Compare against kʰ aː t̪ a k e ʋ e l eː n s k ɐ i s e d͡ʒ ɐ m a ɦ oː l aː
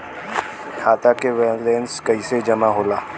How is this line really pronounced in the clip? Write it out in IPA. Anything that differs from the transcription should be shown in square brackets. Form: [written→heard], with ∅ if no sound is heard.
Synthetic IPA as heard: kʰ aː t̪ a k e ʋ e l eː n s k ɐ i s e d͡ʒ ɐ m a ɦ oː l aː